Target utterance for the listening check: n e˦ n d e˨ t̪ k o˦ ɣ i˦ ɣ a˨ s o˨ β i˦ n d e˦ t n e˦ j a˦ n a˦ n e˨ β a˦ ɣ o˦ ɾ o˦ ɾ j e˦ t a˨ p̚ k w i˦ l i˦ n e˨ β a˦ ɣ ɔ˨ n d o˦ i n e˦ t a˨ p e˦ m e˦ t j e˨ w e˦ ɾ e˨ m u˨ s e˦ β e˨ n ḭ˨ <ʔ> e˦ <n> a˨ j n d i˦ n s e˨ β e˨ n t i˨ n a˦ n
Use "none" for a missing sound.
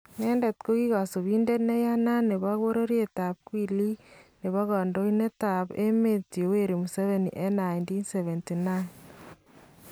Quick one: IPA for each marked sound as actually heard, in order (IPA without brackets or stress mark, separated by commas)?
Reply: ʔ, n